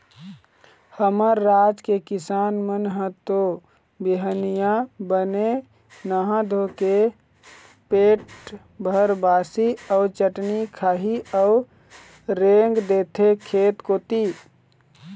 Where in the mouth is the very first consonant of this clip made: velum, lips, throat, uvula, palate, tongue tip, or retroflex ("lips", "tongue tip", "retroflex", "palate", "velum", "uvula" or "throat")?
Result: throat